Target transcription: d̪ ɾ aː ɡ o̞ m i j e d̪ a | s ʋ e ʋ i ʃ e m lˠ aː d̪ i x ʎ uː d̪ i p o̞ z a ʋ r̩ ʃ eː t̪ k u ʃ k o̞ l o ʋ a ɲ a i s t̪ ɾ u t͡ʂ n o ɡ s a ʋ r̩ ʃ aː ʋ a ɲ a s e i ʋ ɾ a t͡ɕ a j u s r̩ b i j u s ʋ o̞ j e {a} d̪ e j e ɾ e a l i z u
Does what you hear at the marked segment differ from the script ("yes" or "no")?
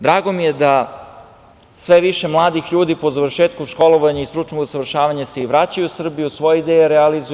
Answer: yes